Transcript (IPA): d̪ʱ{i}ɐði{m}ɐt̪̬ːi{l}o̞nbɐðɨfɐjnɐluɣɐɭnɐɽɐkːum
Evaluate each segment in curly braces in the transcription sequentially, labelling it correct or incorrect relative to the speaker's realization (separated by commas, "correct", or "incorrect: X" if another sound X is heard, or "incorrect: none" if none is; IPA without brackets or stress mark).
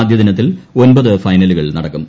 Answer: incorrect: j, incorrect: n, correct